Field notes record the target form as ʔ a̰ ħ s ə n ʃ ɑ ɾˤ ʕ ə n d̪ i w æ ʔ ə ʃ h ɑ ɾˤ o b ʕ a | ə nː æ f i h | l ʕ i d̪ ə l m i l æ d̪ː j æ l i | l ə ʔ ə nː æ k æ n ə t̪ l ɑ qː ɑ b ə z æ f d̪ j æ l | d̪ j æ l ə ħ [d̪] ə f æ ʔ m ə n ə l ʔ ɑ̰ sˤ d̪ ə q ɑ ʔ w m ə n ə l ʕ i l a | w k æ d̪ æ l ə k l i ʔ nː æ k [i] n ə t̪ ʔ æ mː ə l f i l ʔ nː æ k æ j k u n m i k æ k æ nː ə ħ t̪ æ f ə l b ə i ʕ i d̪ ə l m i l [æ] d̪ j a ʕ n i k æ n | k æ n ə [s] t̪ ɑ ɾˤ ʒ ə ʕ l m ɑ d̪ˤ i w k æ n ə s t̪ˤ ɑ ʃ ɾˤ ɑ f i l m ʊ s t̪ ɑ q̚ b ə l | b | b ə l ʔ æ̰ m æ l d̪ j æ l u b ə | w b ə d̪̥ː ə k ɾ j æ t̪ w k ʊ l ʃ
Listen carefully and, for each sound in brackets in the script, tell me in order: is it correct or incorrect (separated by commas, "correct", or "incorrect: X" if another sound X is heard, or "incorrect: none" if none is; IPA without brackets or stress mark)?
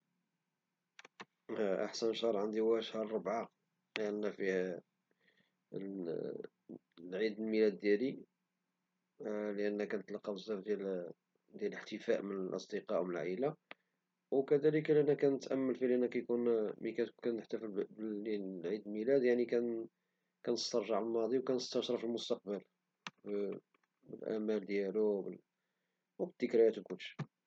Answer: incorrect: t̪, incorrect: æ, correct, correct